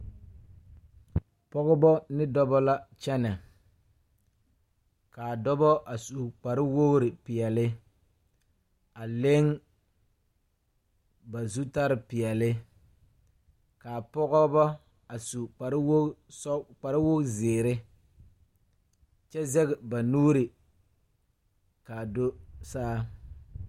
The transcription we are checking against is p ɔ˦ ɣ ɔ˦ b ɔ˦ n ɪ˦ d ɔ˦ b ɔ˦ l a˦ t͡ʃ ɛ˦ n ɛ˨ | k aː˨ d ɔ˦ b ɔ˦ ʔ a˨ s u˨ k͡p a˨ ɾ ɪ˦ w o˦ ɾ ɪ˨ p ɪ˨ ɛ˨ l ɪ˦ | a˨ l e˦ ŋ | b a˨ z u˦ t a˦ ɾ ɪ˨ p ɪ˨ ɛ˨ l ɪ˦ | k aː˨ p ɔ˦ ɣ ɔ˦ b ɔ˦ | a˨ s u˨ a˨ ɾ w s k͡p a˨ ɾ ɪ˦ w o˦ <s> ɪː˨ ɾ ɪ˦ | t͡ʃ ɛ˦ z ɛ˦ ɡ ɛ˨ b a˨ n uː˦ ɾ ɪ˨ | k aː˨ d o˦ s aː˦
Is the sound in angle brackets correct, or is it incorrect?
incorrect